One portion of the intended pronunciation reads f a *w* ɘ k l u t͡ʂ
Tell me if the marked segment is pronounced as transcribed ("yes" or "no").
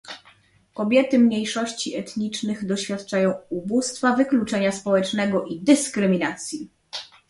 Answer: no